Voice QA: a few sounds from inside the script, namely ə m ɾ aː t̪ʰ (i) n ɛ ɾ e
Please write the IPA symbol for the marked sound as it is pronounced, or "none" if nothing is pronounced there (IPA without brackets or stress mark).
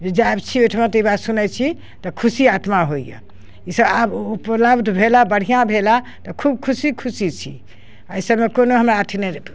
i